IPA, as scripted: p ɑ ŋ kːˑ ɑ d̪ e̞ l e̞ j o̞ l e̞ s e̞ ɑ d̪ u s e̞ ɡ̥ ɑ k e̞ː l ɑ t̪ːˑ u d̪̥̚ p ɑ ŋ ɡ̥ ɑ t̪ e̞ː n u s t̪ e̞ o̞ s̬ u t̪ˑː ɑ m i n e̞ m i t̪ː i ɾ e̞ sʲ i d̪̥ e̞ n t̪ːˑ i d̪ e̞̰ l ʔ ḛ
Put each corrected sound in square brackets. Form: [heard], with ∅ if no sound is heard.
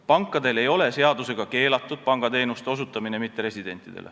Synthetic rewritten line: p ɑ ŋ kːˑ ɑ d̪ e̞ l e̞ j o̞ l e̞ s e̞ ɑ d̪ u s e̞ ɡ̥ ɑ k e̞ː l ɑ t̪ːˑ u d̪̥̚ p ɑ ŋ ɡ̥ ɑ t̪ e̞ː n u s t̪ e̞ o̞ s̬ u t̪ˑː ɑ m i n e̞ m i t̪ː [e] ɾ e̞ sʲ i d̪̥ e̞ n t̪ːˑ i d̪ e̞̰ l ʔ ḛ